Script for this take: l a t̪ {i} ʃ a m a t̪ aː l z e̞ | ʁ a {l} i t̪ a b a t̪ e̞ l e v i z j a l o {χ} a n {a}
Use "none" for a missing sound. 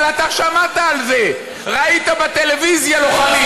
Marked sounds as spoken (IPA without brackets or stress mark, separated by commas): a, none, χ, i